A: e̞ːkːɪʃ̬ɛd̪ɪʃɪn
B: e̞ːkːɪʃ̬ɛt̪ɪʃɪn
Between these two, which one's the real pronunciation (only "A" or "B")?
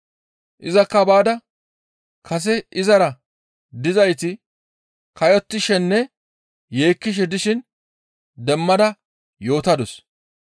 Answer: A